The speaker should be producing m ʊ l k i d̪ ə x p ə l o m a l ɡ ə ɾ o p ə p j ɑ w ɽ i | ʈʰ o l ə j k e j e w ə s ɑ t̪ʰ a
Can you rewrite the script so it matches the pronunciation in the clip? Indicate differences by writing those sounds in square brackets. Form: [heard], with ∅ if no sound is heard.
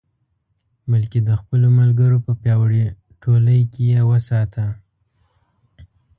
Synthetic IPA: m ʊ l k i d̪ ə x p ə l o m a l ɡ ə ɾ o p ə p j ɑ w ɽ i | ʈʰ o l ə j k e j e w ə s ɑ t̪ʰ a